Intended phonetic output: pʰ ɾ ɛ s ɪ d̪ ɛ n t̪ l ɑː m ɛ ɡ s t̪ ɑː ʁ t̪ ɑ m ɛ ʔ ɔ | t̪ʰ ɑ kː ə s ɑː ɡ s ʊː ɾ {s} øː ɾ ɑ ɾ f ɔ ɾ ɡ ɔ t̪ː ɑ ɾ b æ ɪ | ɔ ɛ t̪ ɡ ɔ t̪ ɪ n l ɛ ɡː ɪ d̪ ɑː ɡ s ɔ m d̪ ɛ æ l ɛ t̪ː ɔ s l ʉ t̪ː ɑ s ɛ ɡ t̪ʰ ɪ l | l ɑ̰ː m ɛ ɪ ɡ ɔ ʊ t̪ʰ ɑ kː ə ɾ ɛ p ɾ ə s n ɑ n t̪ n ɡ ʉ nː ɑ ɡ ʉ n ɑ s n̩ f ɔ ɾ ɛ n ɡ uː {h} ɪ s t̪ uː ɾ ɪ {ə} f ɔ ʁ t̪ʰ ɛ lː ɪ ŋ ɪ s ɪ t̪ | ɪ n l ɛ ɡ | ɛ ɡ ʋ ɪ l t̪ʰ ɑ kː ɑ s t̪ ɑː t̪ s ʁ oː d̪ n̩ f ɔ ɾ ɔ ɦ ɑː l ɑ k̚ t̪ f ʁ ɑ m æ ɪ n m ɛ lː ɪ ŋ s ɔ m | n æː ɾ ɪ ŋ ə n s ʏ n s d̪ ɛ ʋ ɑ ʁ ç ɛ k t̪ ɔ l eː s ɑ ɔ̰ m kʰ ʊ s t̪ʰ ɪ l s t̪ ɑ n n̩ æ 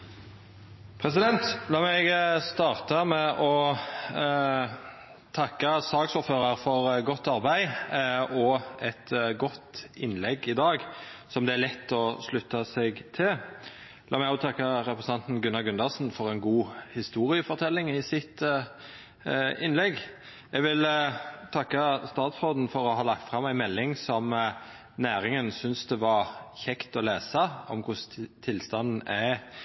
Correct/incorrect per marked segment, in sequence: incorrect: f, correct, correct

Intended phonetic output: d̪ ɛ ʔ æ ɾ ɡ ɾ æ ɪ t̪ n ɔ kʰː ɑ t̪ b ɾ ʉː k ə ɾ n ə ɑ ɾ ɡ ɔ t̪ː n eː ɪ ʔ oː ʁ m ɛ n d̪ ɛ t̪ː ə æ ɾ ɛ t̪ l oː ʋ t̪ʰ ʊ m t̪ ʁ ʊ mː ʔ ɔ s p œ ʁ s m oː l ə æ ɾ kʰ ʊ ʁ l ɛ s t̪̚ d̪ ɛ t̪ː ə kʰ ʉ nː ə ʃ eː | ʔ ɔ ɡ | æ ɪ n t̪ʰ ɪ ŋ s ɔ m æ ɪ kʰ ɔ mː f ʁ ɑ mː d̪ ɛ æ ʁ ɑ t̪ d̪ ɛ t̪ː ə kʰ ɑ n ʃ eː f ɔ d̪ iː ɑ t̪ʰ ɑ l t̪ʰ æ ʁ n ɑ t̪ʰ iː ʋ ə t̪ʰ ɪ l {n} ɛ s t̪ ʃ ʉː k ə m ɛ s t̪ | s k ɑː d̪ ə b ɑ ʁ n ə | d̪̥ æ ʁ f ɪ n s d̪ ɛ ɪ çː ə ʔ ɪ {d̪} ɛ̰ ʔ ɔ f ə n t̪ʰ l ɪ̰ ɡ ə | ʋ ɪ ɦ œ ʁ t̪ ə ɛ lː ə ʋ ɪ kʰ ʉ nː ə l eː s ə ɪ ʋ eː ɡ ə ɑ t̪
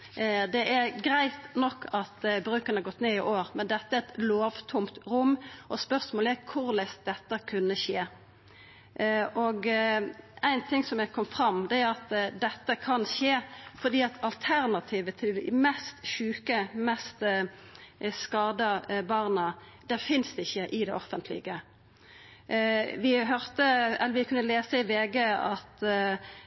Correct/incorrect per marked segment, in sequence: incorrect: m, correct

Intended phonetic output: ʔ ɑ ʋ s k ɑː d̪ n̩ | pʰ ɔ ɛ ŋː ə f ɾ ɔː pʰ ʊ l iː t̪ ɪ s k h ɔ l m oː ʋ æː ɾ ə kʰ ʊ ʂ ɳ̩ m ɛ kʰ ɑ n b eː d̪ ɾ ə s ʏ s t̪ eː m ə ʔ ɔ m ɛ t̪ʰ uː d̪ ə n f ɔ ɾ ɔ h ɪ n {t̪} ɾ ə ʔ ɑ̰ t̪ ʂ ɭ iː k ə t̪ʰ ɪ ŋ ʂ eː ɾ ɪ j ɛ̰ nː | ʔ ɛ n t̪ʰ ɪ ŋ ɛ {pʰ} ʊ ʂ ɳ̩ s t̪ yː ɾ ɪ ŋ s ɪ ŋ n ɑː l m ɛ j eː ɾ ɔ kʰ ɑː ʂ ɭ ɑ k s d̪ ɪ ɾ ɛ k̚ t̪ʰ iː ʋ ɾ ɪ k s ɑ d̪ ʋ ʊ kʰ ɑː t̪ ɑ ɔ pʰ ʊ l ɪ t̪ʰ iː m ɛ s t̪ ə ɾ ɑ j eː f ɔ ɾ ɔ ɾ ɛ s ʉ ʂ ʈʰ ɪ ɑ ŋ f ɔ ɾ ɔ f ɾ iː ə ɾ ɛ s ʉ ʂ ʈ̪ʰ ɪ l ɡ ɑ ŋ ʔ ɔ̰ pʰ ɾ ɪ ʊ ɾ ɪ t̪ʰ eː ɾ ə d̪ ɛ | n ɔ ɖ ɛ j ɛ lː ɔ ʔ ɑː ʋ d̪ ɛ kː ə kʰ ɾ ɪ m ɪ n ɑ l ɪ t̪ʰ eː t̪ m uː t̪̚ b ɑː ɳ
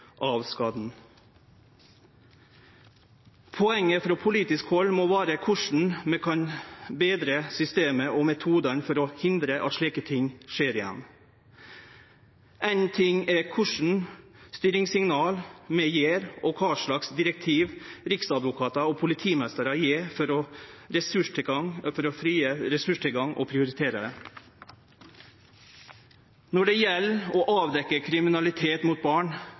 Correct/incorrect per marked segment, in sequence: incorrect: d̪, incorrect: kʰ

